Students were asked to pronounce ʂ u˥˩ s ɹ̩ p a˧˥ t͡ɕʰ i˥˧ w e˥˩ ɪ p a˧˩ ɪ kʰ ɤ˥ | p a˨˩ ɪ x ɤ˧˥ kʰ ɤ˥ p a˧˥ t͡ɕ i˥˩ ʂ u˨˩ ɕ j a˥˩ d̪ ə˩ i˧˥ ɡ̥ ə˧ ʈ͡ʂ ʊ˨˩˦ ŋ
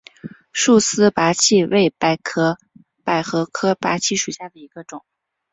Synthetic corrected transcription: ʂ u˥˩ s ɹ̩ p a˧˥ t͡ɕʰ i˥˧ w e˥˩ ɪ p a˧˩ ɪ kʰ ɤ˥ | p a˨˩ ɪ x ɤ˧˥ kʰ ɤ˥ p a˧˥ t͡ɕʰ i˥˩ ʂ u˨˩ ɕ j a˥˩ d̪ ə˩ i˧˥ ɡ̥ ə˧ ʈ͡ʂ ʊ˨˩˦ ŋ

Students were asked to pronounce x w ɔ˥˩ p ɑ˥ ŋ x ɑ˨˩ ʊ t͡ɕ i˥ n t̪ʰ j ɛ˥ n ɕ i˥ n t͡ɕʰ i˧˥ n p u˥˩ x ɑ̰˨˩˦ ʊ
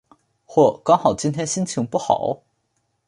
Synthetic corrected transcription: x w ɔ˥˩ k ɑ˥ ŋ x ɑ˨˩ ʊ t͡ɕ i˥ n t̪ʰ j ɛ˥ n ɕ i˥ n t͡ɕʰ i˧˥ ŋ p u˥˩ x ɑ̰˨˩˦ ʊ

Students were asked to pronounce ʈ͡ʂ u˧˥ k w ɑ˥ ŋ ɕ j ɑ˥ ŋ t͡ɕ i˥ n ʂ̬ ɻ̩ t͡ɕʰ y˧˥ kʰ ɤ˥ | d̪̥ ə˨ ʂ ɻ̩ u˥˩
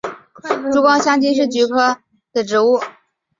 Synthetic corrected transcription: ʈ͡ʂ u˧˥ k w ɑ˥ ŋ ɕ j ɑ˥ ŋ t͡ɕ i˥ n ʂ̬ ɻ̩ t͡ɕ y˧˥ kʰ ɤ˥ | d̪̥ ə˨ ʈ͡ʂ ɻ̩ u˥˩

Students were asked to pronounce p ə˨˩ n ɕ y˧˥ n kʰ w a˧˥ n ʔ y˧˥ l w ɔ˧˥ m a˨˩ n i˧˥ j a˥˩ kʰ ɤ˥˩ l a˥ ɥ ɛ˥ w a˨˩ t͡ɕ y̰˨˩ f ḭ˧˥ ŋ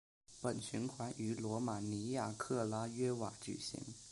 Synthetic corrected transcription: p ə˨˩ n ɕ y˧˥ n kʰ w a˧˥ n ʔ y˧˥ l w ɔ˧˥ m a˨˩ n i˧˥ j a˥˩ kʰ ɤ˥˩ l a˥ ɥ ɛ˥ w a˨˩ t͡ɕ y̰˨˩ ɕ ḭ˧˥ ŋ

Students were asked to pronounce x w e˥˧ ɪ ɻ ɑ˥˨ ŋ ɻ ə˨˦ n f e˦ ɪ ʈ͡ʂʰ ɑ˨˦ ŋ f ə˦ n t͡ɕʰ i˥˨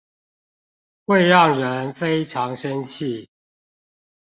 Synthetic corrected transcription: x w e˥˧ ɪ ɻ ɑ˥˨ ŋ ɻ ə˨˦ n f e˦ ɪ ʈ͡ʂʰ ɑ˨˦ ŋ ʂ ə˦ n t͡ɕʰ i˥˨

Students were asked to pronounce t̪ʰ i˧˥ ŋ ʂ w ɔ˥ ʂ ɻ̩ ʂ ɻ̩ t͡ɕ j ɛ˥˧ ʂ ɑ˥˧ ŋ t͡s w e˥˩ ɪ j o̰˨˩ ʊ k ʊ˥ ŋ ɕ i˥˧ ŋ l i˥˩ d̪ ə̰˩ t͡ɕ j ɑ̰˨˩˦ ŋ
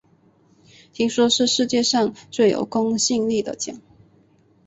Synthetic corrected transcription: t̪ʰ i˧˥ ŋ ʂ w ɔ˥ ʂ ɻ̩ ʂ ɻ̩ t͡ɕ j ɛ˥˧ ʂ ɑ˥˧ ŋ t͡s w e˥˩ ɪ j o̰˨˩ ʊ k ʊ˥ ŋ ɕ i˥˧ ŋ l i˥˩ d̪ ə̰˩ t͡ɕ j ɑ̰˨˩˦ ŋ

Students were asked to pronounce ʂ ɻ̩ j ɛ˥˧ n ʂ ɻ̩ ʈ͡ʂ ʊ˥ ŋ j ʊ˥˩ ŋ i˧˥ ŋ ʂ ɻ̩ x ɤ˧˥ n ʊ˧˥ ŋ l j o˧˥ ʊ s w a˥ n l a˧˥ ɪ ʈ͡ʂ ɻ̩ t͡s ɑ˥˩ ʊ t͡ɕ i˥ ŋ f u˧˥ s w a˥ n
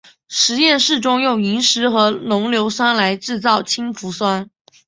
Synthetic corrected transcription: ʂ ɻ̩ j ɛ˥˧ n ʂ ɻ̩ ʈ͡ʂ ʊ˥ ŋ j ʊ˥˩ ŋ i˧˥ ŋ ʂ ɻ̩ x ɤ˧˥ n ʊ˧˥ ŋ l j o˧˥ ʊ s w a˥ n l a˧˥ ɪ ʈ͡ʂ ɻ̩ t͡s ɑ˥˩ ʊ t͡ɕʰ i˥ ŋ f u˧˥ s w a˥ n

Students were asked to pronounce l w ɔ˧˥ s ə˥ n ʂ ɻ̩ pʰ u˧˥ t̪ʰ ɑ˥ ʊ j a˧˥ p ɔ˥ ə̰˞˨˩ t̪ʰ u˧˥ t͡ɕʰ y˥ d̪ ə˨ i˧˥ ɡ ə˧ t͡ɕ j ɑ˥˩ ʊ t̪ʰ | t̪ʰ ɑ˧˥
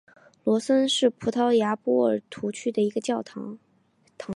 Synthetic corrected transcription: l w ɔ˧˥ s ə˥ n ʂ ɻ̩ pʰ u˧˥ t̪ʰ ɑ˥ ʊ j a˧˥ p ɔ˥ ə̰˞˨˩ t̪ʰ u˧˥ t͡ɕʰ y˥ d̪ ə˨ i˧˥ ɡ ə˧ t͡ɕ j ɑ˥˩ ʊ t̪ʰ | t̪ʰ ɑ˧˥

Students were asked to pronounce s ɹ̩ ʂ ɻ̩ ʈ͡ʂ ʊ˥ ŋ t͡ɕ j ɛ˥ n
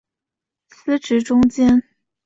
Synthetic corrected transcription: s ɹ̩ ʈ͡ʂ ɻ̩ ʈ͡ʂ ʊ˥ ŋ t͡ɕ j ɛ˥ n

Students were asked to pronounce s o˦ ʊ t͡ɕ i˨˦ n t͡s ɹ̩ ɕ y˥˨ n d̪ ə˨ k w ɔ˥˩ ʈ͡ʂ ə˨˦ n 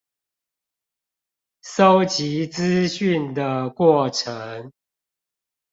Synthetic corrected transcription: s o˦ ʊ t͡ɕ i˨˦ t͡s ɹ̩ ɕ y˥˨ n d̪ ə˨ k w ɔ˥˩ ʈ͡ʂʰ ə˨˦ ŋ

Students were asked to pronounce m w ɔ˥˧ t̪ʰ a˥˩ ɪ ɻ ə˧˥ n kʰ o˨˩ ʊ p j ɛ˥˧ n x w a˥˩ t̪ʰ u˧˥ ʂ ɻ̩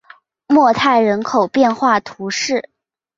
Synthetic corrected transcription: m w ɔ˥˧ t̪ʰ a˥˩ ɪ ɻ ə˧˥ n kʰ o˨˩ ʊ p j ɛ˥˧ n x w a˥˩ t̪ʰ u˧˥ ʂ ɻ̩

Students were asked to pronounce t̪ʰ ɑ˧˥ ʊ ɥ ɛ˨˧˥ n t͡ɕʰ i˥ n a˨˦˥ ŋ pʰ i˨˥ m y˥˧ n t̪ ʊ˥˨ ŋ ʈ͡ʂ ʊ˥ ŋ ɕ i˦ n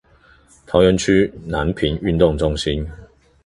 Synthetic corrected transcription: t̪ʰ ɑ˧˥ ʊ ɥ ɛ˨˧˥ n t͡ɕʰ y˥ n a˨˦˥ n pʰ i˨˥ n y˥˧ n t̪ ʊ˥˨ ŋ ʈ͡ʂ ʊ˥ ŋ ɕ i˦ n

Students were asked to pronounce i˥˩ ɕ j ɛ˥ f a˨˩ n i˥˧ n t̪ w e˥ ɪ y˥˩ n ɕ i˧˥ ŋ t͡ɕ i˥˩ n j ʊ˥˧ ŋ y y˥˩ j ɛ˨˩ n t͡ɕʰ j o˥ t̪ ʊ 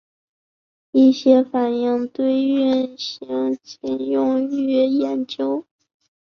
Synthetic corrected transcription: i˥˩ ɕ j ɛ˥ f a˨˩ n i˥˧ ŋ t̪ w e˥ ɪ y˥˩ n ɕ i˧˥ ŋ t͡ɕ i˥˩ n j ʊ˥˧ ŋ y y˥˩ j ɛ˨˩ n t͡ɕ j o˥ ʊ

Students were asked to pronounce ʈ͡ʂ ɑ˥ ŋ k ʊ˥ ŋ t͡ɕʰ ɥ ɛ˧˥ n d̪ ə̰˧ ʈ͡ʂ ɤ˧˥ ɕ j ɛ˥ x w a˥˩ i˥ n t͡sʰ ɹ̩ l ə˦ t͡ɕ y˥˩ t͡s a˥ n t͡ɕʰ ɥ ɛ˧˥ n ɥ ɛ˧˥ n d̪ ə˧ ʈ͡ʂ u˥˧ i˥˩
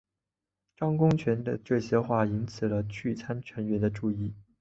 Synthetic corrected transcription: ʈ͡ʂ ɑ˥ ŋ k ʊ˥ ŋ t͡ɕʰ ɥ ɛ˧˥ n d̪ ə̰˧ ʈ͡ʂ ɤ˥˩ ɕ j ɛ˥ x w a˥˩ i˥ n t͡sʰ ɹ̩ l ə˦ t͡ɕʰ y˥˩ t͡sʰ a˥ n t͡ɕʰ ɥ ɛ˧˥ n ɥ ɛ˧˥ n d̪ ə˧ ʈ͡ʂ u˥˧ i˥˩

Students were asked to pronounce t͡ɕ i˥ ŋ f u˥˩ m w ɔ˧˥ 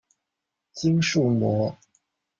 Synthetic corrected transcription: t͡ɕ i˥ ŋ ʂ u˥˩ m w ɔ˧˥

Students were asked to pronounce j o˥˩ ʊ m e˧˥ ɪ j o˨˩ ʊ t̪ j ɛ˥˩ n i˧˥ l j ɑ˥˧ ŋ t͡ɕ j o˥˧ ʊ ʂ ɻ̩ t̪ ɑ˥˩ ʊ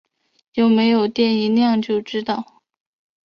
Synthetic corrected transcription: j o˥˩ ʊ m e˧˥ ɪ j o˨˩ ʊ t̪ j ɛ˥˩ n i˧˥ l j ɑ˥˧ ŋ t͡ɕ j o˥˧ ʊ ʈ͡ʂ ɻ̩ t̪ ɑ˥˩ ʊ

